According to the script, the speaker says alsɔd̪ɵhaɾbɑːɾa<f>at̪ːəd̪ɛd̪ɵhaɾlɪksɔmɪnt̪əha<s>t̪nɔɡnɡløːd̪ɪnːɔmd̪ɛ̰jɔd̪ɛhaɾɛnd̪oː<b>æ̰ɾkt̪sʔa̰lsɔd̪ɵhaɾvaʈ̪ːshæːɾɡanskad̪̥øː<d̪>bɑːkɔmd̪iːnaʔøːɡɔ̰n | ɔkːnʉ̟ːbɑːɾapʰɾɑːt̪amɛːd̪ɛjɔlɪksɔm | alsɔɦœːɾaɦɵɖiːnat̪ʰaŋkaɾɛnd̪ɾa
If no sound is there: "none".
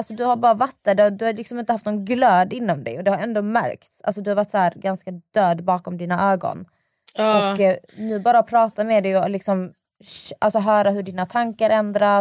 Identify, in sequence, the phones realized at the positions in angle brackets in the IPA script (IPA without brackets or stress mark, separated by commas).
v, f, m, d̪